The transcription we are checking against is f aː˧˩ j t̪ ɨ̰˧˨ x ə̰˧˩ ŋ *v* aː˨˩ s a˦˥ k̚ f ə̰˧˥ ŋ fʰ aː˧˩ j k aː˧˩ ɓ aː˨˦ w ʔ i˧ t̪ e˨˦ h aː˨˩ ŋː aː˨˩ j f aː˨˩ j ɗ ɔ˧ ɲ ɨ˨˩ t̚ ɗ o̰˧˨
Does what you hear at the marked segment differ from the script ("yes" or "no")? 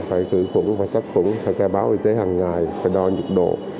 no